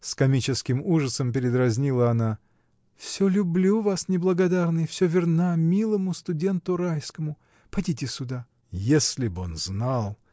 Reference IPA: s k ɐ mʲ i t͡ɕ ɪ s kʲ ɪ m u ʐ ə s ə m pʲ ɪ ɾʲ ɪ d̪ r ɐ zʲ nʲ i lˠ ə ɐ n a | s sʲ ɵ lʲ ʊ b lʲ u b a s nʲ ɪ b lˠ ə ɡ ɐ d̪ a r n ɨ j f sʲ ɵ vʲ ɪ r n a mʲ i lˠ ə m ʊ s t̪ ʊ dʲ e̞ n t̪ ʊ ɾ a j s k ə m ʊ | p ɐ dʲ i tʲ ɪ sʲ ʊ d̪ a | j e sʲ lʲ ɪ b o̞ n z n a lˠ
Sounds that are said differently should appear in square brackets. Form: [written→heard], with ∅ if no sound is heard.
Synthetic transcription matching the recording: s k ɐ mʲ i t͡ɕ ɪ s kʲ ɪ m u ʐ ə s ə m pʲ ɪ ɾʲ ɪ d̪ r ɐ zʲ nʲ i lˠ ə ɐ n a | [s→f] sʲ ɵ lʲ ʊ b lʲ u [b→v] a s nʲ ɪ b lˠ ə ɡ ɐ d̪ a r n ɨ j f sʲ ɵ vʲ ɪ r n a mʲ i lˠ ə m ʊ s t̪ ʊ dʲ e̞ n t̪ ʊ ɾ a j s k ə m ʊ | p ɐ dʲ i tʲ ɪ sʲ ʊ d̪ a | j e sʲ lʲ ɪ b o̞ n z n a lˠ